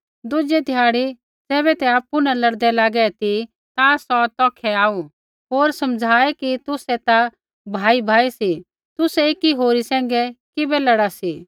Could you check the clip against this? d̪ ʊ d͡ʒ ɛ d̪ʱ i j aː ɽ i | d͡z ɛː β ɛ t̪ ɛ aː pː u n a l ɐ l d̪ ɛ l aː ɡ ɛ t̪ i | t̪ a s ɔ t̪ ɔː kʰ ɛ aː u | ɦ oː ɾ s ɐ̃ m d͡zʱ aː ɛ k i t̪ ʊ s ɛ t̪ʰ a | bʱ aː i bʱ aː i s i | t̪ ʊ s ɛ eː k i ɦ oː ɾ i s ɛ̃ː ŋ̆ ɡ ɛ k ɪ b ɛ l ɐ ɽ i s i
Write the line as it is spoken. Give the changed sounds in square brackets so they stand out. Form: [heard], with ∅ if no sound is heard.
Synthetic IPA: d̪ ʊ d͡ʒ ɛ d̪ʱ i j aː ɽ i | d͡z ɛː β ɛ t̪ ɛ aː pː u n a l ɐ [ɽ] d̪ ɛ l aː ɡ ɛ t̪ i | t̪ a s ɔ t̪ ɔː kʰ ɛ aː u | ɦ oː ɾ s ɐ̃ m d͡zʱ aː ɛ k i t̪ ʊ s ɛ [t̪] a | bʱ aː i bʱ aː i s i | t̪ ʊ s ɛ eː k i ɦ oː ɾ i s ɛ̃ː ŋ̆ ɡ ɛ k ɪ b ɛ l ɐ ɽ [a] s i